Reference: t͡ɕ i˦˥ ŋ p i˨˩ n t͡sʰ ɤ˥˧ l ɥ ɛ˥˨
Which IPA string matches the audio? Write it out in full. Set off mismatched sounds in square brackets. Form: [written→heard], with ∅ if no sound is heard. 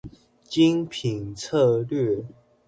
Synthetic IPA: t͡ɕ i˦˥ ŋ [p→pʰ] i˨˩ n t͡sʰ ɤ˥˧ l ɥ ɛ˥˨